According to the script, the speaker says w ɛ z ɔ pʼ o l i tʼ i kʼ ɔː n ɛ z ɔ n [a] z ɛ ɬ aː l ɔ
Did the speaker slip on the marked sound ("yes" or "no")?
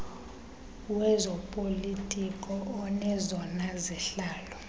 no